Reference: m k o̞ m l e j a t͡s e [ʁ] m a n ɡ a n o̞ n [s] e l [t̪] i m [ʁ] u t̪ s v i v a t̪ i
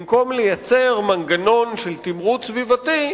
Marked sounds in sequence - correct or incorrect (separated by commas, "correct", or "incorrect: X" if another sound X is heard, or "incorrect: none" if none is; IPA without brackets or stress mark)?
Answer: correct, incorrect: ʃ, correct, correct